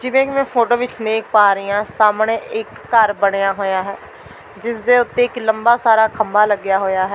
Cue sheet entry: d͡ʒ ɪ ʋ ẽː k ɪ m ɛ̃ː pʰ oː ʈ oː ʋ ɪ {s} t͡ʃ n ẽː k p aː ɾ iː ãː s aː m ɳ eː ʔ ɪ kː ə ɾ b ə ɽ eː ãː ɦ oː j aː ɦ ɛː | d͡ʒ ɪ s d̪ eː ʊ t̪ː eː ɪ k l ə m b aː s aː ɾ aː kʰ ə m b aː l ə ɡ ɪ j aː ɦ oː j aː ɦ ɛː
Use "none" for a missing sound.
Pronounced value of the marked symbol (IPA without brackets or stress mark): none